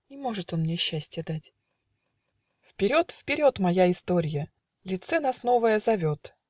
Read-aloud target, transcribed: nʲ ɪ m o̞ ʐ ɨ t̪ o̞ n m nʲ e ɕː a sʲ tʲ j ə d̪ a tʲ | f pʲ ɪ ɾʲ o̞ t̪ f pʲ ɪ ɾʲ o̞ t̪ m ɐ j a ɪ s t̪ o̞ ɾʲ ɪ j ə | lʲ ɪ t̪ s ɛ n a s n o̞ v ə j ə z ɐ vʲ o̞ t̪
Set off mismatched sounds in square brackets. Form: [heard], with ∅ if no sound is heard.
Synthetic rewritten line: nʲ ɪ m o̞ ʐ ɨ t̪ o̞ n m nʲ e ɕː [æ] sʲ tʲ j ə d̪ a tʲ | f pʲ ɪ ɾʲ o̞ t̪ f pʲ ɪ ɾʲ o̞ t̪ m ɐ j a ɪ s t̪ o̞ ɾʲ ɪ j ə | lʲ ɪ t̪ s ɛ n a s n o̞ v ə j ə z ɐ vʲ o̞ t̪